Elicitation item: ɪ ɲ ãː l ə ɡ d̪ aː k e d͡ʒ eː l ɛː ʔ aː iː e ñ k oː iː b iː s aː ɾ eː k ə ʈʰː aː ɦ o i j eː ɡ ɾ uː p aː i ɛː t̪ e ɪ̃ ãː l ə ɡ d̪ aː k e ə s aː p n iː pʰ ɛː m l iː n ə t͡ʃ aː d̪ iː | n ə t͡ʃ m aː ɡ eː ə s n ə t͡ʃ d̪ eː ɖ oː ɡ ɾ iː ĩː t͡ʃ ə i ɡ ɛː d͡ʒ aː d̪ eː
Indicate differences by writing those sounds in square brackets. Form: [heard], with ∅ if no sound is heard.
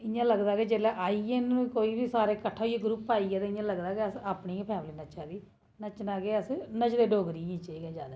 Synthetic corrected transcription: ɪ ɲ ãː l ə ɡ d̪ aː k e d͡ʒ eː l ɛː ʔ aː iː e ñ k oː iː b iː s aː ɾ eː k ə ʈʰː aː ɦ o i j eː ɡ ɾ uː p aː i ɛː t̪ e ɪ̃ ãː l ə ɡ d̪ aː k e ə s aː p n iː pʰ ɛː m l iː n ə t͡ʃ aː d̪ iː | n ə t͡ʃ [n] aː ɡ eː ə s n ə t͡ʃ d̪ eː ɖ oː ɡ ɾ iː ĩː t͡ʃ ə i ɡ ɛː d͡ʒ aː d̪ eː